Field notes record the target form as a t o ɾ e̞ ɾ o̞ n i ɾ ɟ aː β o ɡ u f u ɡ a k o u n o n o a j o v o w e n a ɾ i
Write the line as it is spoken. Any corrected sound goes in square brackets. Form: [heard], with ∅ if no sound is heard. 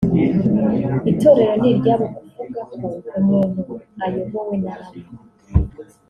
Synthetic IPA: [i] t o ɾ e̞ ɾ o̞ n i ɾ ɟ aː β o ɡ u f u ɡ a k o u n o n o a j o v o w e n a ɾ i